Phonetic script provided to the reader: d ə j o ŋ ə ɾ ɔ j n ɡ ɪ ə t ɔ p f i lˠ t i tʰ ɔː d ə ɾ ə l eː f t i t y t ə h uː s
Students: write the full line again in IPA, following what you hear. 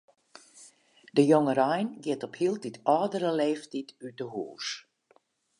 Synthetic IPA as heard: d ə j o ŋ ə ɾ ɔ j n ɡ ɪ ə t ɔ p h i lˠ t i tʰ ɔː d ə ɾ ə l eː f t i t y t ə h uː s